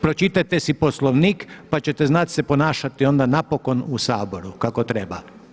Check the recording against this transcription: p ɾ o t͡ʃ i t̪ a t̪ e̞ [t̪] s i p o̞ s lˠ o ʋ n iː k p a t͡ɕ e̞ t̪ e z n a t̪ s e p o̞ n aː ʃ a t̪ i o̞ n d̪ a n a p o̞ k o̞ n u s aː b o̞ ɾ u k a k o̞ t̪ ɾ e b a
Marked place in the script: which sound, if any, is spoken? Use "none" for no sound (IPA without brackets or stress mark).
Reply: none